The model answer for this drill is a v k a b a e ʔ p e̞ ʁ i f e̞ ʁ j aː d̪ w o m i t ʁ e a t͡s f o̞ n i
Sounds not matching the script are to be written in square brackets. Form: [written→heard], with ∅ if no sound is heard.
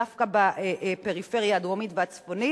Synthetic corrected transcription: a [v→f] k a b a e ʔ p e̞ ʁ i f e̞ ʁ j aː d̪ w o m i t [ʁ→v] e a t͡s f o̞ n i